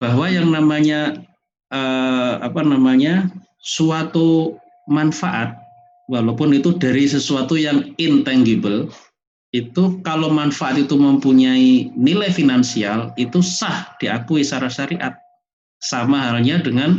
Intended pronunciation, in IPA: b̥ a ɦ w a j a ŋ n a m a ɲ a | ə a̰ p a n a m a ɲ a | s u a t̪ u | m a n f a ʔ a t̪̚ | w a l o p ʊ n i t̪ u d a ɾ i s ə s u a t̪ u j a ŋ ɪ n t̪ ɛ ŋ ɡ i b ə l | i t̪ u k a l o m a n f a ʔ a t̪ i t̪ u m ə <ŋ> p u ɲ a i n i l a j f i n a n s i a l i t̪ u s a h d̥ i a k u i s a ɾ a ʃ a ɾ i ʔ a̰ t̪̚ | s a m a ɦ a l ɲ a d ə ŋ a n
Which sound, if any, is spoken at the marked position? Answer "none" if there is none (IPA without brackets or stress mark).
m